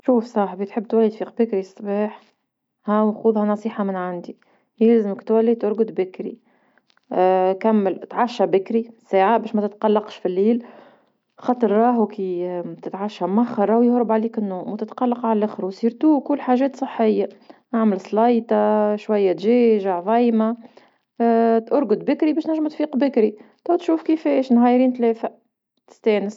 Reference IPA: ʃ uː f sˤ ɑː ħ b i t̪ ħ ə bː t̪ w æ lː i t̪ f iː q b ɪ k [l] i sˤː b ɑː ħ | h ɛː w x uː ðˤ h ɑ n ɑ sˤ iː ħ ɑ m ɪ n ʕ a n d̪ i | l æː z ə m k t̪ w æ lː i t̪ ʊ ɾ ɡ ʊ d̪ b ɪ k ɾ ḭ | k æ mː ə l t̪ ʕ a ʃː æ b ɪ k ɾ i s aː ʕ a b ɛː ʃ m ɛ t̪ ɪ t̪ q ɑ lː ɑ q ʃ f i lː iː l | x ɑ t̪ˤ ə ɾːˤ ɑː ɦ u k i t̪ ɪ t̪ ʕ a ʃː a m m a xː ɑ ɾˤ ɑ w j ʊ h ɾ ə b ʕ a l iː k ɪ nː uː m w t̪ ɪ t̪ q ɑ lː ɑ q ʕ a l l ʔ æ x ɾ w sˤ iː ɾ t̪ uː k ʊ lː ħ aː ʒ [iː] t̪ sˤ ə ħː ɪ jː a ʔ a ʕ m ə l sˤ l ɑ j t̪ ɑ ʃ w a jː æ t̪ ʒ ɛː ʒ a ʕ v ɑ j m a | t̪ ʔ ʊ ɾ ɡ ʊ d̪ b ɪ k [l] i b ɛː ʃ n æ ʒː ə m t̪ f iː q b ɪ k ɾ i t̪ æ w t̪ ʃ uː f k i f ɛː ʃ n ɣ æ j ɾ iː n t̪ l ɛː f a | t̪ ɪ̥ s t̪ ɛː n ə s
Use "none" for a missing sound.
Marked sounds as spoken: ɾ, ɛː, ɾ

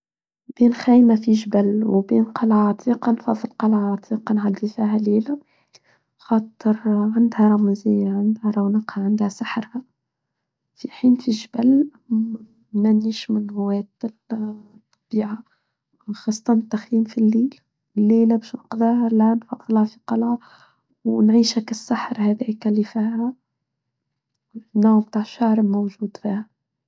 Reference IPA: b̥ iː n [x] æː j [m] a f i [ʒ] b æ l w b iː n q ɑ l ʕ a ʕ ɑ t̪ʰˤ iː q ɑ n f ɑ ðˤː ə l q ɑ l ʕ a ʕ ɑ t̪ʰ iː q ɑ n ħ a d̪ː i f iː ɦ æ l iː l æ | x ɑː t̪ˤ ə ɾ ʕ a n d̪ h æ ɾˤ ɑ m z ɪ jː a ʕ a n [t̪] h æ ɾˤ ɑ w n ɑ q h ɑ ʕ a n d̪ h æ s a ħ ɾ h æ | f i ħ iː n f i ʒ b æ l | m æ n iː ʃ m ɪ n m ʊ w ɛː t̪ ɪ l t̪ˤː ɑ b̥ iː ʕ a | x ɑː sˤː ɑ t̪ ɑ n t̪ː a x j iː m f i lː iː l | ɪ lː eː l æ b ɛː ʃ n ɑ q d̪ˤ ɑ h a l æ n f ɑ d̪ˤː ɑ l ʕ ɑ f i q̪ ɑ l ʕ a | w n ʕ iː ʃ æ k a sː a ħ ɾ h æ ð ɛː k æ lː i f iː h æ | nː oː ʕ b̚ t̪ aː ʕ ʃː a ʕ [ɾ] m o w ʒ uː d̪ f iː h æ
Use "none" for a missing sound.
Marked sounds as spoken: x, m, ʒ, d̪, ɾ

